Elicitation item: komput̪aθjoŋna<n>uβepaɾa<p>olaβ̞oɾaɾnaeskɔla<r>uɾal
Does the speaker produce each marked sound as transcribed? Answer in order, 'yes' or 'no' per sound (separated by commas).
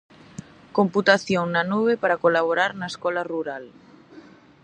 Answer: yes, no, yes